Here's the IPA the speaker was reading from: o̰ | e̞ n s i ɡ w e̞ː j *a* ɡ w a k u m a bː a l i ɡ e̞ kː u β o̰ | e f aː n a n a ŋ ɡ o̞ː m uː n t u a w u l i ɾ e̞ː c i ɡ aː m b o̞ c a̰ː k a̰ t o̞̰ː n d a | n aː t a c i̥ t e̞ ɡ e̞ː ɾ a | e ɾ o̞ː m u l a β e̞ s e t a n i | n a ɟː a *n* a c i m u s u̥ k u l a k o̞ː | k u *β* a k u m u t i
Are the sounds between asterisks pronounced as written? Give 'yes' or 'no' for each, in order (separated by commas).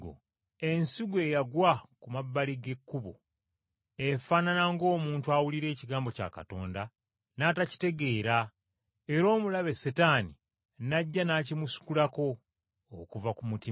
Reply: yes, yes, no